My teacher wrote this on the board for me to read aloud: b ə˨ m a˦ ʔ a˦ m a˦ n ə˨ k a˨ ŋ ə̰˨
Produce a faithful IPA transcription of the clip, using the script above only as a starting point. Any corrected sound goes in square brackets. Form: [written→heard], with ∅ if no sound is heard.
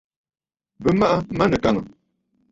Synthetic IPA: b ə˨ m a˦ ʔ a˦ m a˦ n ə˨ k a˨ ŋ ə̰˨